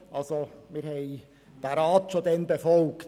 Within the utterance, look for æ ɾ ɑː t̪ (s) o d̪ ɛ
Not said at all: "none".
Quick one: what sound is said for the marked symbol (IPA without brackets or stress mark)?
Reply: ʃ